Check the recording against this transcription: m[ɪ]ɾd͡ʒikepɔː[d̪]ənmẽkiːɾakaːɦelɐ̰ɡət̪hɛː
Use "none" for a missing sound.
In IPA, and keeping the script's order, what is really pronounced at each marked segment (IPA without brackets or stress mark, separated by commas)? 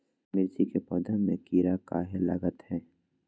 ɪ, d̪